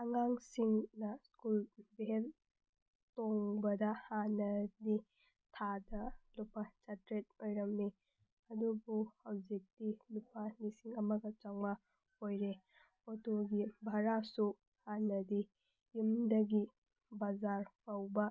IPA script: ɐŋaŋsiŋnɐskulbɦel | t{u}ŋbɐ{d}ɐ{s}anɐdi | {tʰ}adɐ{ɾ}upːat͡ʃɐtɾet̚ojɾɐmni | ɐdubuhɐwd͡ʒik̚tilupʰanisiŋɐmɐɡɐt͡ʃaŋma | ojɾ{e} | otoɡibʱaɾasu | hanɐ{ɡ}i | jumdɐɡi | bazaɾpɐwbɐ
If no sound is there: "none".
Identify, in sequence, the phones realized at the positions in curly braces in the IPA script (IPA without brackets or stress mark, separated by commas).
o, d, h, tʰ, l, e, d